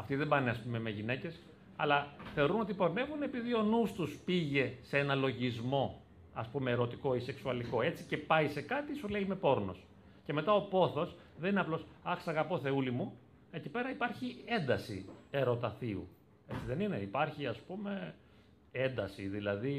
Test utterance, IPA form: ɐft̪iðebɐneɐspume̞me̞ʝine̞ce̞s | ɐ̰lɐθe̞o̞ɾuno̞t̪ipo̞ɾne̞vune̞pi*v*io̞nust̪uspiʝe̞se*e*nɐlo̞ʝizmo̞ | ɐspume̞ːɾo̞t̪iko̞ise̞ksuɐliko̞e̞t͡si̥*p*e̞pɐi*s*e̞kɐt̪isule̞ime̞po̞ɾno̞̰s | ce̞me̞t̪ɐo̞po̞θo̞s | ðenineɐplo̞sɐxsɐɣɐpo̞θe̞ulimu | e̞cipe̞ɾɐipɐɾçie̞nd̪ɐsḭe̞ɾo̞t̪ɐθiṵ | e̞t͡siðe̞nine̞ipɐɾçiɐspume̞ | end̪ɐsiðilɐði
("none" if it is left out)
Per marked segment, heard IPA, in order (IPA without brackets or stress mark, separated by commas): ð, e, c, s